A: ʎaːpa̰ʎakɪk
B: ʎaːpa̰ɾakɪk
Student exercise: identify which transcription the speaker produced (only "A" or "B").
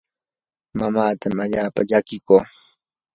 A